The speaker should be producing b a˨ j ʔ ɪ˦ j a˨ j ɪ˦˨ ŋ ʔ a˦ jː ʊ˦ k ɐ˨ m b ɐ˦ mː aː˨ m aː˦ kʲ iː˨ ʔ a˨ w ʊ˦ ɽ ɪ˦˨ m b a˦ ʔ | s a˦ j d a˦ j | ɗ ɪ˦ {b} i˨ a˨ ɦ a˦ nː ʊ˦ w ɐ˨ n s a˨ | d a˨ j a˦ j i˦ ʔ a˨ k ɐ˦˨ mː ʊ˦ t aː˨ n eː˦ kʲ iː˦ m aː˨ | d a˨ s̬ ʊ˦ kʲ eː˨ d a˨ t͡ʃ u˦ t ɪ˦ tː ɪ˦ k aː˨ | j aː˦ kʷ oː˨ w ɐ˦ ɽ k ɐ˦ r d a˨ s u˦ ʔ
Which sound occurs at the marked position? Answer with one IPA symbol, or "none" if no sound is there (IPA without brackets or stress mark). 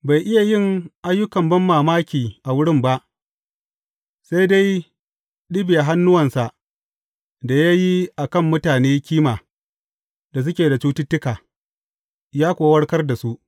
b